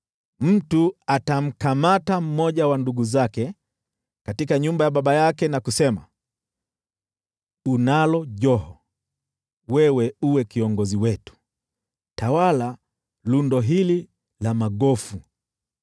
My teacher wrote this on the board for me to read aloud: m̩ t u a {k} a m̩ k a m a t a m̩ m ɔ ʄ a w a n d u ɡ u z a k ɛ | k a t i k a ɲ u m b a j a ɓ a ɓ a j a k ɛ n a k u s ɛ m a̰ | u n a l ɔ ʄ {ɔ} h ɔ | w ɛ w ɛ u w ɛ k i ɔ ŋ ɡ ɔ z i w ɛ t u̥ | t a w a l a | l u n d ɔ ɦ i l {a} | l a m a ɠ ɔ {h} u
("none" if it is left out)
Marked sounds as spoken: t, ɔ, i, f

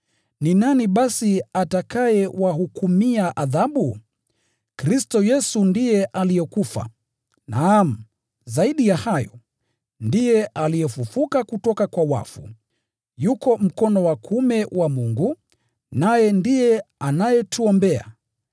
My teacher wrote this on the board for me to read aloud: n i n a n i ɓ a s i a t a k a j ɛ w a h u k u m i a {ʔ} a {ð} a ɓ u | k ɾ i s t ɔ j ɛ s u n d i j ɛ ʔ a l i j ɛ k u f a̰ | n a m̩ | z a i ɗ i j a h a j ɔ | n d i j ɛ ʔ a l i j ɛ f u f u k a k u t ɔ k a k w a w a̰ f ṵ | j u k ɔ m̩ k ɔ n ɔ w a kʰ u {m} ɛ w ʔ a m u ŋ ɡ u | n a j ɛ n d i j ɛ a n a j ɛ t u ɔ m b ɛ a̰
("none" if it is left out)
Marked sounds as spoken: ʔ, ð, m

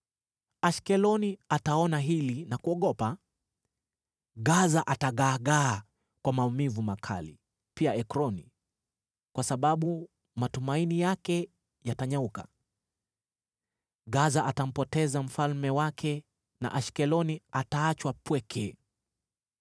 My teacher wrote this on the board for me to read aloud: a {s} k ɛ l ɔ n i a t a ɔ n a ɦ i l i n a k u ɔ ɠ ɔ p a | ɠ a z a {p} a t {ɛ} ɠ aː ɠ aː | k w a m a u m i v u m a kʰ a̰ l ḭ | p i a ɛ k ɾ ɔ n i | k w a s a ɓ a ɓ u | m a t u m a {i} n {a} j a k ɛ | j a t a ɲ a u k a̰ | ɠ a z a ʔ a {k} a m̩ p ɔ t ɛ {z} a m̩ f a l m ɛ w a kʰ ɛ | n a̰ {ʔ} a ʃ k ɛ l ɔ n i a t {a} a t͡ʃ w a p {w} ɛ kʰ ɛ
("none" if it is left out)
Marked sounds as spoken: ʃ, ʔ, a, i, i, t, z, ʔ, a, w

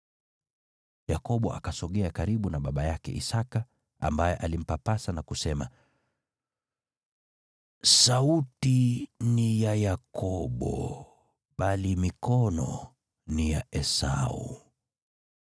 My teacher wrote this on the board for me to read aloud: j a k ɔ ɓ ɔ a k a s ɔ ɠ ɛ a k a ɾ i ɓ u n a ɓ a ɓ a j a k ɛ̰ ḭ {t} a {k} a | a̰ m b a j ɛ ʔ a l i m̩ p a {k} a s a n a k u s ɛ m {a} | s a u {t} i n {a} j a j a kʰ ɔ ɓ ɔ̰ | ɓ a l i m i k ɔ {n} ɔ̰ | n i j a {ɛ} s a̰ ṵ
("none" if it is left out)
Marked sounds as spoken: s, k, p, a, t, i, n, ɛ

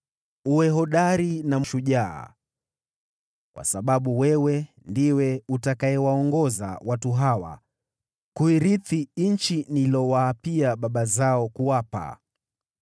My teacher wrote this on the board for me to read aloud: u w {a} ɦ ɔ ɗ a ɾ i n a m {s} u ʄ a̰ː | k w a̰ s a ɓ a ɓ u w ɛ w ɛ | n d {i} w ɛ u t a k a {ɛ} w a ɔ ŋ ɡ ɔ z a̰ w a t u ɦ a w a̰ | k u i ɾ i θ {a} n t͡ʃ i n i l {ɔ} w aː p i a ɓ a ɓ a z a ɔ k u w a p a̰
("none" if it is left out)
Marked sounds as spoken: ɛ, ʃ, i, ɛ, i, ɔ

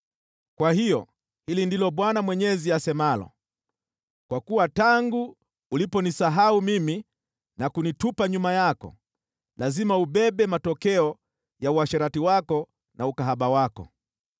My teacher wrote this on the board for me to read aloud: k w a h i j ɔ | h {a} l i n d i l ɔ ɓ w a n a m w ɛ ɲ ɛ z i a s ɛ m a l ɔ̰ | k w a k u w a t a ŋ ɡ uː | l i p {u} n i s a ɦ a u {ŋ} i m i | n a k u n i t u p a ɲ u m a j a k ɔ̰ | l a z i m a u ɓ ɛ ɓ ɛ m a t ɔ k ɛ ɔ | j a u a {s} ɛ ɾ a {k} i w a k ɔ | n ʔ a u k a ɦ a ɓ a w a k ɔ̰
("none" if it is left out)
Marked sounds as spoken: i, ɔ, m, ʃ, t

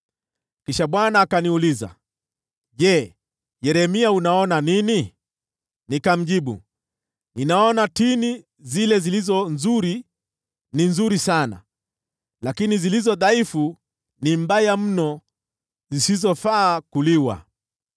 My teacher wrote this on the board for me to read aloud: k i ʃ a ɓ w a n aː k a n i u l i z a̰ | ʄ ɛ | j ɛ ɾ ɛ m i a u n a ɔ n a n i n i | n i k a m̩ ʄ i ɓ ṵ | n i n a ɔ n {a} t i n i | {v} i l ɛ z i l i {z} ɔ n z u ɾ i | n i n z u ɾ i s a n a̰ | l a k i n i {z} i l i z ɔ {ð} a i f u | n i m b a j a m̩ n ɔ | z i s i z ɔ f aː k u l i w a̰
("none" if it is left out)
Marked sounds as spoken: a, z, z, z, ð

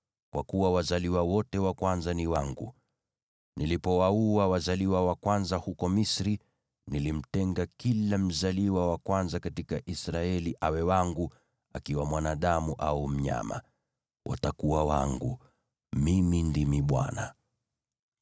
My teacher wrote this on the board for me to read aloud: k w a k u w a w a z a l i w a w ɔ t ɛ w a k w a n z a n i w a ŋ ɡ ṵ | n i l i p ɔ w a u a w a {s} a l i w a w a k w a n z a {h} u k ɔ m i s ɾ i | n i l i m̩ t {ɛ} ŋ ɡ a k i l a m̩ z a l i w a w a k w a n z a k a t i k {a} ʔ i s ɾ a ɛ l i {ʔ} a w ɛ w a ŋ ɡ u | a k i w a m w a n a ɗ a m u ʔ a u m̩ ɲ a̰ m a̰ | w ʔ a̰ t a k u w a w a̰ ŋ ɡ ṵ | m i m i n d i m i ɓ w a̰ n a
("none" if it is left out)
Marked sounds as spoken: z, h, ɛ, a, ʔ

